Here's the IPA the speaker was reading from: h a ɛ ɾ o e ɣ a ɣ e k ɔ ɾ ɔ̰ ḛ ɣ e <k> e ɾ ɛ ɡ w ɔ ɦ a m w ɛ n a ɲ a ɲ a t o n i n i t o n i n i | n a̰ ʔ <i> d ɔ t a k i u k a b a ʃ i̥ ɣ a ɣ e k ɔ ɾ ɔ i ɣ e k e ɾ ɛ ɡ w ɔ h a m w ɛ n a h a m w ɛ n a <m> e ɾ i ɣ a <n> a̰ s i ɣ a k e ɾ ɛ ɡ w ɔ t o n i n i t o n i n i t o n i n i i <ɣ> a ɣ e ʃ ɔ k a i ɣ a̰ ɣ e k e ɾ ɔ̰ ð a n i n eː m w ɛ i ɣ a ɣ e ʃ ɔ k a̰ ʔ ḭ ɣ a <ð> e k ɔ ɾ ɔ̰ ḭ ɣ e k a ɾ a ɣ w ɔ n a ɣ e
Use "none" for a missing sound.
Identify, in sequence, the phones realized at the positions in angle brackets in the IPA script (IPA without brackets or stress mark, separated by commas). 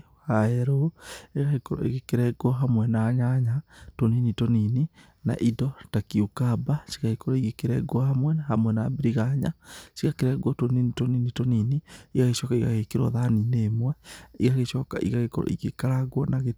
k, i, b, ɲ, ɣ, ɣ